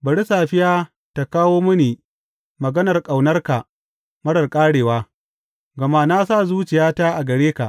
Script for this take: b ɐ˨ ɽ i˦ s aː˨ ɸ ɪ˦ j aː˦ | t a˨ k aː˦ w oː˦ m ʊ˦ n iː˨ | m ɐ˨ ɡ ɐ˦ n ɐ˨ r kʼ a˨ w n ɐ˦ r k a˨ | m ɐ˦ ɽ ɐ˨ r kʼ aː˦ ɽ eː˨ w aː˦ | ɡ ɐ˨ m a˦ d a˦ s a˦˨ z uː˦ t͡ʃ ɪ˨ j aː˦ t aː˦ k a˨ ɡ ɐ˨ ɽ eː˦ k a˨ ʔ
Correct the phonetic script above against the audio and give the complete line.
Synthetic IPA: b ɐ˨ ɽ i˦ s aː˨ ɸ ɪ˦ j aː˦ | t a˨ k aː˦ w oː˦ m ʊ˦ n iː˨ | m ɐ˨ ɡ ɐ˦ n ɐ˨ r kʼ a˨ w n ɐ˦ r k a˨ | m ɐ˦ ɽ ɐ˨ r kʼ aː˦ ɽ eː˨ w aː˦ | ɡ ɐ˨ m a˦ n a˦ s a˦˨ z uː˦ t͡ʃ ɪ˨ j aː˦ t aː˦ ʔ a˨ ɡ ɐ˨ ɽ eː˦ k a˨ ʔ